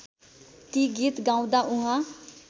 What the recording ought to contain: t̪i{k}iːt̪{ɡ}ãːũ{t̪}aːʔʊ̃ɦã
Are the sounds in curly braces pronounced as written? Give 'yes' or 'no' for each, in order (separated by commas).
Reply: no, yes, no